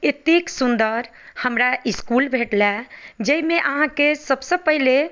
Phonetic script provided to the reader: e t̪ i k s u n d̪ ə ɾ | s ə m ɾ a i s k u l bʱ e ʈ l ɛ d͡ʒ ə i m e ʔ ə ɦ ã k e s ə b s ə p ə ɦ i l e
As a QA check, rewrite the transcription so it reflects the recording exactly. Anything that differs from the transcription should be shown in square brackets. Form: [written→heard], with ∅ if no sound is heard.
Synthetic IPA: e t̪ i k s u n d̪ ə ɾ | [s→h] ə m ɾ a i s k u l bʱ e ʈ l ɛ d͡ʒ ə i m e ʔ ə ɦ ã k e s ə b s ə p ə ɦ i l e